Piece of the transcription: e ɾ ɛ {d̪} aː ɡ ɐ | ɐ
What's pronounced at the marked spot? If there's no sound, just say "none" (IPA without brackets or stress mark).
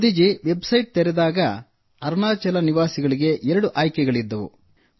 d̪